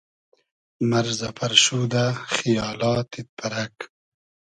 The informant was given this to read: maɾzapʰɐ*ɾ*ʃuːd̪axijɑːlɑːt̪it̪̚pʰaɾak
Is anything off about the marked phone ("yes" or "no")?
no